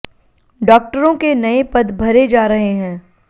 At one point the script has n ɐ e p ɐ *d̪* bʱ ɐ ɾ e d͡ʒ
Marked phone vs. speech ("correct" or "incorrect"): correct